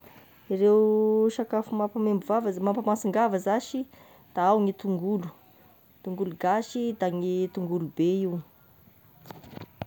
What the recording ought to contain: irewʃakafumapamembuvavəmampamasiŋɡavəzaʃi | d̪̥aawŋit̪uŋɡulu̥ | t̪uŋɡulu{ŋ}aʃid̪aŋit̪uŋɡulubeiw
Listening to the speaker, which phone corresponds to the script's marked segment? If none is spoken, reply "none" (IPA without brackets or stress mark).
ɡ